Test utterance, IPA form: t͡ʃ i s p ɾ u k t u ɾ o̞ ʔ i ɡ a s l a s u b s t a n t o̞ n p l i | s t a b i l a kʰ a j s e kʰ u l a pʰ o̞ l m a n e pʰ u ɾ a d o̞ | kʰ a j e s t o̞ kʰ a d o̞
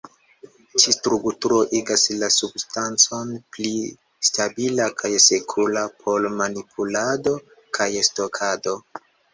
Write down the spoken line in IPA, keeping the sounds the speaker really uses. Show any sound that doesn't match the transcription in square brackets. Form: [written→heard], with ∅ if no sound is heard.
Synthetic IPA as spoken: t͡ʃ i s [p→t] ɾ u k t u ɾ o̞ ʔ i ɡ a s l a s u b s t a n [t→t͡s] o̞ n p l i | s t a b i l a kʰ a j s e kʰ u l a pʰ o̞ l m a n [e→i] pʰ u [ɾ→l] a d o̞ | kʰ a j e s t o̞ kʰ a d o̞